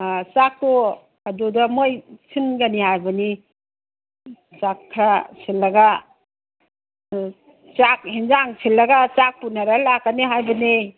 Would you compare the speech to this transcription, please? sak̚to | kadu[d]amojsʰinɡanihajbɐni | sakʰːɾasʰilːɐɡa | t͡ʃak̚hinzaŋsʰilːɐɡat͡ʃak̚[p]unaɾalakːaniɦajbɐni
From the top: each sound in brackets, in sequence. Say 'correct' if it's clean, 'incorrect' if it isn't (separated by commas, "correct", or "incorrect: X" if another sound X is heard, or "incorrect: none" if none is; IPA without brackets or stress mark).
correct, correct